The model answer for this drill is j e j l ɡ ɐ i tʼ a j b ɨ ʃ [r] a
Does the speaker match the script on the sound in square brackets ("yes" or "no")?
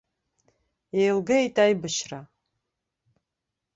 yes